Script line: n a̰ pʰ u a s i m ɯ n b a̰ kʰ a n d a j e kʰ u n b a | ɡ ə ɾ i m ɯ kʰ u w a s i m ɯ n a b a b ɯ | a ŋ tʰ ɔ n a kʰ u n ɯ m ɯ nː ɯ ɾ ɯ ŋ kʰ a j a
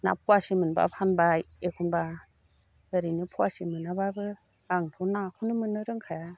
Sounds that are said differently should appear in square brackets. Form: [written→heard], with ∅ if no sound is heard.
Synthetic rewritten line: n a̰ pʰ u a s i m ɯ n b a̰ [kʰ→pʰ] a n [d→b] a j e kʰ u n b a | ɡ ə ɾ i [m→n] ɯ [kʰ→pʰ] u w a s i m ɯ n a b a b ɯ | a ŋ tʰ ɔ n a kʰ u n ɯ m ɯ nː ɯ ɾ ɯ ŋ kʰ a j a